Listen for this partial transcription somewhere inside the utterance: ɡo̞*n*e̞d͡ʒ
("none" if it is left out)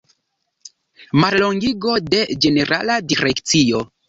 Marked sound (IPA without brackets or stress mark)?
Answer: d